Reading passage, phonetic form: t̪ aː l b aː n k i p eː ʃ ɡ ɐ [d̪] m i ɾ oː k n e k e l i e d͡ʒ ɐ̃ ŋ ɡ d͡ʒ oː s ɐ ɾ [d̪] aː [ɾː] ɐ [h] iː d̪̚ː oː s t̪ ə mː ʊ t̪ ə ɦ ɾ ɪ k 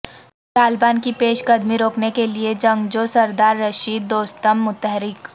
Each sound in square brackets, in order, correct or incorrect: correct, correct, correct, incorrect

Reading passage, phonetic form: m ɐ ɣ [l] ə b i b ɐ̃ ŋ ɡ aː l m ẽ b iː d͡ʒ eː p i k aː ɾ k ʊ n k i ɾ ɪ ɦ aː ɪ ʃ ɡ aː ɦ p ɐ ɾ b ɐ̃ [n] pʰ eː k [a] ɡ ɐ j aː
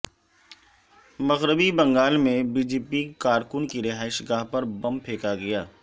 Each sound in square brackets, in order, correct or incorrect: incorrect, incorrect, correct

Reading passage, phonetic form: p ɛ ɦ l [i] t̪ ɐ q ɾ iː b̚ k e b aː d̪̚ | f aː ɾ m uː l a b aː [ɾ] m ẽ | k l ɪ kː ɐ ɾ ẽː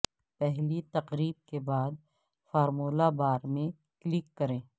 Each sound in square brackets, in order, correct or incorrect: correct, correct

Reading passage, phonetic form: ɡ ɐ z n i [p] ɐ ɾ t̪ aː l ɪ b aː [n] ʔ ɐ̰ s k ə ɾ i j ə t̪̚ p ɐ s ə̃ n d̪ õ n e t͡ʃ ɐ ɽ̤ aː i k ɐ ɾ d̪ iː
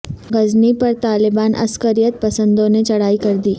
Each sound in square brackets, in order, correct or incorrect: correct, correct

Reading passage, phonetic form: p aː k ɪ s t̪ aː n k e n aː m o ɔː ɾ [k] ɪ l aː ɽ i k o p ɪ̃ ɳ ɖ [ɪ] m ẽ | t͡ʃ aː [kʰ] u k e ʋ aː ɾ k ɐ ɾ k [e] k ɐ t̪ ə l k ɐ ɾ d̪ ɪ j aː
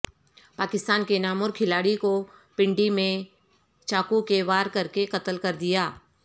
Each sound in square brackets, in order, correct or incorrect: incorrect, incorrect, incorrect, correct

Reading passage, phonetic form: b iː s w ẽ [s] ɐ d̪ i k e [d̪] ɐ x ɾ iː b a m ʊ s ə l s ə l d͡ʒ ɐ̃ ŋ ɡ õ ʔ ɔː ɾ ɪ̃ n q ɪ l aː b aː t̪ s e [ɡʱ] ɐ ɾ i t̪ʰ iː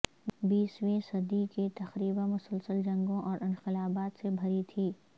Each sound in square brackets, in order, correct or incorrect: correct, incorrect, incorrect

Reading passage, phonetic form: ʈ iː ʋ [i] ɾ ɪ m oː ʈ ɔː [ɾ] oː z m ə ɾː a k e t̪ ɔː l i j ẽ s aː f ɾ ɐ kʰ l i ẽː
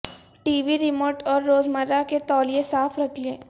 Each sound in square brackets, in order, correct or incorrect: correct, incorrect

